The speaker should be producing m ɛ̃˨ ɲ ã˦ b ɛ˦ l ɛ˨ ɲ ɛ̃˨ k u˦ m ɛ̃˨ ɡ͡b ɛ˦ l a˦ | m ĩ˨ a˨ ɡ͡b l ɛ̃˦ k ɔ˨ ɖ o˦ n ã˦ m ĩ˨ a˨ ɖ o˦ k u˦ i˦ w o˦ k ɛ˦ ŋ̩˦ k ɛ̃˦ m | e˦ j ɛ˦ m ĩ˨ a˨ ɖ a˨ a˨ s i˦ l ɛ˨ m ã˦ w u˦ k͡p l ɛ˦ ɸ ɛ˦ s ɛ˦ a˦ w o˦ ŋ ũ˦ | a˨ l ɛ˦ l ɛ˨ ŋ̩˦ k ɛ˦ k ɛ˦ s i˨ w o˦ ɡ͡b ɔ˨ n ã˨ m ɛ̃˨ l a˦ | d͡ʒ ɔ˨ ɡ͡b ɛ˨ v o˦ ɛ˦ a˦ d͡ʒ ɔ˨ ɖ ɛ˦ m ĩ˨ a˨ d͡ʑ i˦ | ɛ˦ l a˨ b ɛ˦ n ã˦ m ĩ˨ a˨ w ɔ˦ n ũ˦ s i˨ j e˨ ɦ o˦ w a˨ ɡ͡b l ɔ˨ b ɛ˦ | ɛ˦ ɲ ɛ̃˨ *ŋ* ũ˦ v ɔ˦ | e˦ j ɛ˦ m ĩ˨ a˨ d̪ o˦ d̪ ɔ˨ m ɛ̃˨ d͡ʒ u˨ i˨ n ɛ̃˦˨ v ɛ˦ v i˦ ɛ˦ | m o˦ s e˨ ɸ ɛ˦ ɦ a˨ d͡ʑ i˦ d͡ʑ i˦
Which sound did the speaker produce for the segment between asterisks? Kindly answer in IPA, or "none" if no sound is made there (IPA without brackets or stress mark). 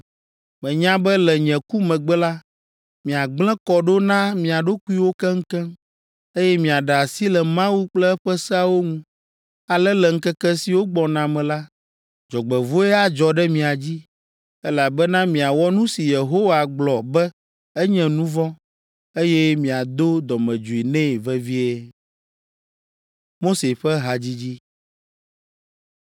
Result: n